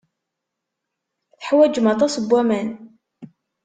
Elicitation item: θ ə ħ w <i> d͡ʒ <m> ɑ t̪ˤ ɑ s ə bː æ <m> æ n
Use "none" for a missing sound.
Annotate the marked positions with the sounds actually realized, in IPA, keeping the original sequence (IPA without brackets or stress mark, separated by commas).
æ, m, m